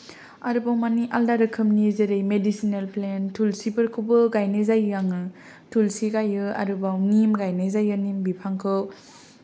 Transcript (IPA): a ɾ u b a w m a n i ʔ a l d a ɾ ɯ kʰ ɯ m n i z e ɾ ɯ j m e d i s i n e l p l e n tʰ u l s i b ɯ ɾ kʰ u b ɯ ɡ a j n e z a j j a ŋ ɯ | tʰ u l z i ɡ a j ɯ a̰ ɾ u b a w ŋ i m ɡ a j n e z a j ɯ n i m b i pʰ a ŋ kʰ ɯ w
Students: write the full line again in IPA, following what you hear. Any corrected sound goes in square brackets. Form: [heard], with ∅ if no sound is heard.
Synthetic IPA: a ɾ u b a w m a n i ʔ a l d a ɾ ɯ kʰ ɯ m n i z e ɾ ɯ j m e d i s i n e l p l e n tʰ u l s i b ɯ ɾ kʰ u b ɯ ɡ a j n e z a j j a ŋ ɯ | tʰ u l [s] i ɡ a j ɯ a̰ ɾ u b a w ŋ i m ɡ a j n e z a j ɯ n i m b i pʰ a ŋ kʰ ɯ w